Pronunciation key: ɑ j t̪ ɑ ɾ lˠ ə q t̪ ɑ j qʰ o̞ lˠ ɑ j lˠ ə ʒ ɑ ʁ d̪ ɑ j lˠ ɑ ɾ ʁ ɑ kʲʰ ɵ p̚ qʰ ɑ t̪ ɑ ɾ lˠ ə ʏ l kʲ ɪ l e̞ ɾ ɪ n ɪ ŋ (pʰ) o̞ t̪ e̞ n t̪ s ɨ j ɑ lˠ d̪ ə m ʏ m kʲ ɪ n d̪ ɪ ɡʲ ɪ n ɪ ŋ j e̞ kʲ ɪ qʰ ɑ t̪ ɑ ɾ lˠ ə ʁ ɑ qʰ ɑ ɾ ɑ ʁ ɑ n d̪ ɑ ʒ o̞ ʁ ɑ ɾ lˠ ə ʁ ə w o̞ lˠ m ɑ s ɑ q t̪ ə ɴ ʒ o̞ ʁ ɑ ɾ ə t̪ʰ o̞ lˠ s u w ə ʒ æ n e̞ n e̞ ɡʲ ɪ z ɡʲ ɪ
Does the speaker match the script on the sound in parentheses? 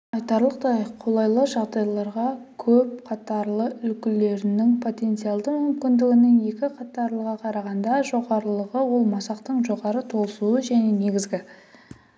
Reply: yes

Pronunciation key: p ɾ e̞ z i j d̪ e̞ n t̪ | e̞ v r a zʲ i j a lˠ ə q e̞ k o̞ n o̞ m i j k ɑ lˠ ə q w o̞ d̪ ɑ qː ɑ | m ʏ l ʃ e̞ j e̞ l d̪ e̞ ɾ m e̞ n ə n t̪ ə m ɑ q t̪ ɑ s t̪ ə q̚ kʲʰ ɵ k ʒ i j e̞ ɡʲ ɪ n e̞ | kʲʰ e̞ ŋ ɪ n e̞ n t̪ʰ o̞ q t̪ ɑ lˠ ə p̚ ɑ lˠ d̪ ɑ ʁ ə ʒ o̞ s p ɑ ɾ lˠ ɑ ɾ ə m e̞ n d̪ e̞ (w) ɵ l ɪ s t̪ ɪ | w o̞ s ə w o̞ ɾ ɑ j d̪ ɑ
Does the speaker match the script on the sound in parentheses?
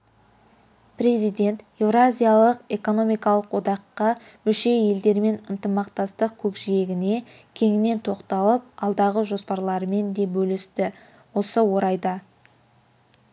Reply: no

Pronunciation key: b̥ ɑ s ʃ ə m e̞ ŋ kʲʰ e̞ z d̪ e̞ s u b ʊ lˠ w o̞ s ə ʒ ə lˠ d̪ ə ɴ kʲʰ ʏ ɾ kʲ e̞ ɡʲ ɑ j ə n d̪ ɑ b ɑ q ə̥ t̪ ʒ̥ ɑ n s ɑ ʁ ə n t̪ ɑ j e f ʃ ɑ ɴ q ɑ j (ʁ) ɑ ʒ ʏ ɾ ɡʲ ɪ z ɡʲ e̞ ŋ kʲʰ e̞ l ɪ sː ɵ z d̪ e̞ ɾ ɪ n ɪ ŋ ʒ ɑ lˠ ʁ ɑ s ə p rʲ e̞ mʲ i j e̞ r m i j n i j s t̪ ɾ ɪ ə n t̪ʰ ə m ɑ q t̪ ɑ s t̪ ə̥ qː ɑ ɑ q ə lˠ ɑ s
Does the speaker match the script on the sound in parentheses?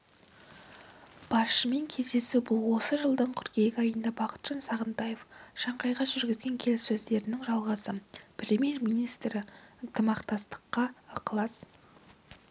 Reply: yes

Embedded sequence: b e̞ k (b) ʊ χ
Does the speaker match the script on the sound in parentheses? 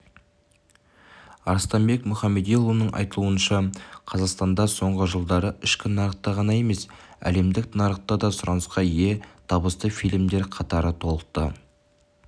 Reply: no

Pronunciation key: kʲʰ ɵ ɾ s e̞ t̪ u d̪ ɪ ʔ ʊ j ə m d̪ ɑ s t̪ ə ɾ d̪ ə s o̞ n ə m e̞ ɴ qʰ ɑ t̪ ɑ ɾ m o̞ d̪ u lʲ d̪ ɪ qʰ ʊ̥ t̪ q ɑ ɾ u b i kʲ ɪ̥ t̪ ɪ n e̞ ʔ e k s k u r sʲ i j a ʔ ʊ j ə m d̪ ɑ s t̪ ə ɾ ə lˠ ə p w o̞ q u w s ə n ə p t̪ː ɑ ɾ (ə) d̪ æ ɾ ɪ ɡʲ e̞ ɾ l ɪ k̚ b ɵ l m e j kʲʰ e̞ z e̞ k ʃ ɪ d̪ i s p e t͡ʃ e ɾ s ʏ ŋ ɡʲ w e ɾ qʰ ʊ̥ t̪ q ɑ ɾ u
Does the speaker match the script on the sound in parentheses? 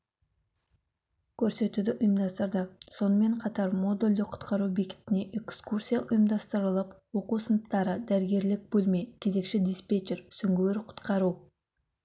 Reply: yes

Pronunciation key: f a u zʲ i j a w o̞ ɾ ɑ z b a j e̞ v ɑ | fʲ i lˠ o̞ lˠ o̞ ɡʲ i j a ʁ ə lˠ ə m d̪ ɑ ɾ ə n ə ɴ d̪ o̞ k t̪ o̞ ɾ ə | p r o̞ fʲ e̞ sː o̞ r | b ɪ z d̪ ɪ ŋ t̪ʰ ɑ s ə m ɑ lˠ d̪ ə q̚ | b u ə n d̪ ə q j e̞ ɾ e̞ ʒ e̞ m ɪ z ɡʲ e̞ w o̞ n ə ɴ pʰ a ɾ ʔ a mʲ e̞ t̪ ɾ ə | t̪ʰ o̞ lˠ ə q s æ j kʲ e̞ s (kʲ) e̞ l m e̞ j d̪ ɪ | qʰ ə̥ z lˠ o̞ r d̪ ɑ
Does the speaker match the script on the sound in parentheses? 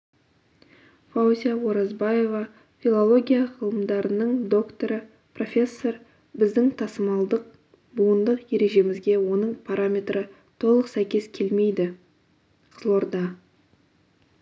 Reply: no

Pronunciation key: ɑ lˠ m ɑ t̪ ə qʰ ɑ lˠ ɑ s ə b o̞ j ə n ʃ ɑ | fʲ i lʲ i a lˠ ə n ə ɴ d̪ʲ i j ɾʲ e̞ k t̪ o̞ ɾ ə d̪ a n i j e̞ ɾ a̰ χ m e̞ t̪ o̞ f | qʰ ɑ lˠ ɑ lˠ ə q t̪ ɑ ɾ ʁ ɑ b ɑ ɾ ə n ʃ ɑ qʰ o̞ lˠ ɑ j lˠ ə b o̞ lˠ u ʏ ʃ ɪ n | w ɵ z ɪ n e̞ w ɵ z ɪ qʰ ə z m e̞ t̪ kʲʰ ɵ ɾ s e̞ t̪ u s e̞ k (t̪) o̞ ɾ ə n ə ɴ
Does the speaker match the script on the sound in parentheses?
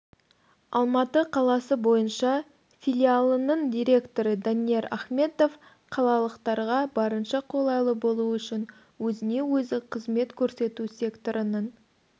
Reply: yes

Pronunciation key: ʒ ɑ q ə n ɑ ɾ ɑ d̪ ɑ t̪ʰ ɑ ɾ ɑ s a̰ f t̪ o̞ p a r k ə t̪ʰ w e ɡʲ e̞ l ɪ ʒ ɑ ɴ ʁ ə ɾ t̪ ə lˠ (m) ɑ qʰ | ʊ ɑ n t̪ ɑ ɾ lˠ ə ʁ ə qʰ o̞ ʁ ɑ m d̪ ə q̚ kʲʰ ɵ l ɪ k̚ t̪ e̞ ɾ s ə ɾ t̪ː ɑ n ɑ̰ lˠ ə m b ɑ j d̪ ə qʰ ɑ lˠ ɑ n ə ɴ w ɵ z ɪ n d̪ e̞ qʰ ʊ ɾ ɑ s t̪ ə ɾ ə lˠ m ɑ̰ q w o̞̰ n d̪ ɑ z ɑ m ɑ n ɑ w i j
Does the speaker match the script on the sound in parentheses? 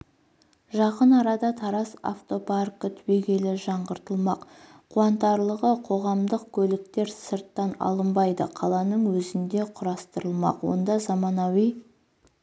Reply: yes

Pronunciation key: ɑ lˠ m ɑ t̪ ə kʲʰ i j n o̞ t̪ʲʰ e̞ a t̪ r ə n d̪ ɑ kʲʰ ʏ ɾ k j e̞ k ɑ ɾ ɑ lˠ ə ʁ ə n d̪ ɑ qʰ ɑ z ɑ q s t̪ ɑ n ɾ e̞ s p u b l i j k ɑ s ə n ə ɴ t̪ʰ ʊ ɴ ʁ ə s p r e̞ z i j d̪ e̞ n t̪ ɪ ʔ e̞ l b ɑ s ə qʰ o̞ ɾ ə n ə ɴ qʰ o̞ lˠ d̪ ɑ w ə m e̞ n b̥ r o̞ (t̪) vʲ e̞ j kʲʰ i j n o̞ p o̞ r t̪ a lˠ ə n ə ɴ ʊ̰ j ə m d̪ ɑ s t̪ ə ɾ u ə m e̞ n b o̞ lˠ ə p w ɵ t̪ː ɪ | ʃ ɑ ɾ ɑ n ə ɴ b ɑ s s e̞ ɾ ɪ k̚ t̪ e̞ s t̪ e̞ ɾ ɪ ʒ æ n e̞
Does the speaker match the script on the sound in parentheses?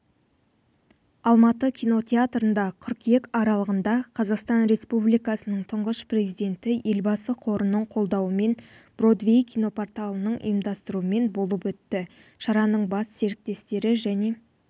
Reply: no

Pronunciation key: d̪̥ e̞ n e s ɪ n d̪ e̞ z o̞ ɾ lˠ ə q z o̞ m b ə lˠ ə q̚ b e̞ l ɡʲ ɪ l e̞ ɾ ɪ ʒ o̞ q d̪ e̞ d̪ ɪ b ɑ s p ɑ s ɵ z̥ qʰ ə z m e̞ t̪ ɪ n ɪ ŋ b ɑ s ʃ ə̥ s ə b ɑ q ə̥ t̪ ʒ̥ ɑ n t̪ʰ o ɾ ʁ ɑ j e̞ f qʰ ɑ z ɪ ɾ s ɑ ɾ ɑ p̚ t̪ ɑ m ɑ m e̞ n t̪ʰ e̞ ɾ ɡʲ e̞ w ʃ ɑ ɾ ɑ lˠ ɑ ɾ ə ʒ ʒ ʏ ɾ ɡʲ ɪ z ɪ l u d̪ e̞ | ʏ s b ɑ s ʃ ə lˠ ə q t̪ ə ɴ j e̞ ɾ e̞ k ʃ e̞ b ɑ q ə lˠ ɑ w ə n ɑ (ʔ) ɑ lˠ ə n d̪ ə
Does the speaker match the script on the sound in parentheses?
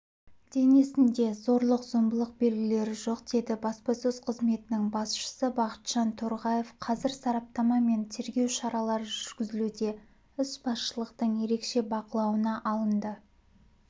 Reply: yes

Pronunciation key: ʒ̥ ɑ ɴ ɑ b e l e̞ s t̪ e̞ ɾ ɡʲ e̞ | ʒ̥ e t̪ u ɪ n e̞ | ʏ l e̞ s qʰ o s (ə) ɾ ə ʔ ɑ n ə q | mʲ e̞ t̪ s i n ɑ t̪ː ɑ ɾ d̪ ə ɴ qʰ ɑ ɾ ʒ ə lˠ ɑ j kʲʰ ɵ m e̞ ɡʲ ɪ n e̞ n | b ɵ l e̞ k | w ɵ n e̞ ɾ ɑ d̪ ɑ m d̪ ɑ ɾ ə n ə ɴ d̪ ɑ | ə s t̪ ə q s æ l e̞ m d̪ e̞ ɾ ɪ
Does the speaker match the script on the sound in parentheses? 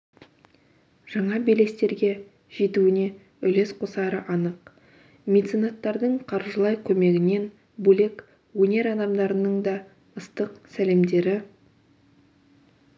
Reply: no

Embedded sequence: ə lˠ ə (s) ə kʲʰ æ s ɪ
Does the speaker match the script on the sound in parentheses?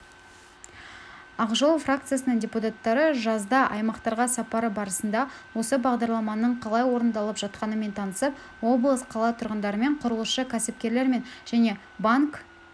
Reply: no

